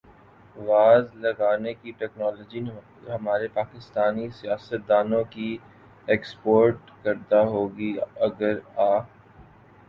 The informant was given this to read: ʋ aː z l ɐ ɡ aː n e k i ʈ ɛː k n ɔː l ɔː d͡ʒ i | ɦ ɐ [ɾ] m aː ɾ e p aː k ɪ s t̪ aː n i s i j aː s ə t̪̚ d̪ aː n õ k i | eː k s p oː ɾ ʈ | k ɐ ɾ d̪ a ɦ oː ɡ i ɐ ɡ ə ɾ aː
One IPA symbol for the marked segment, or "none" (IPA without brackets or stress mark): none